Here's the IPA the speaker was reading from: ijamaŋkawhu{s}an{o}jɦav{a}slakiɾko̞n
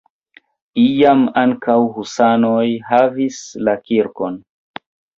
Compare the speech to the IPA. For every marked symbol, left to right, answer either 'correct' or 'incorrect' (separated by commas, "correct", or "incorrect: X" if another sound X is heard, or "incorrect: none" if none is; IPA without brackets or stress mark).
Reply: correct, correct, incorrect: i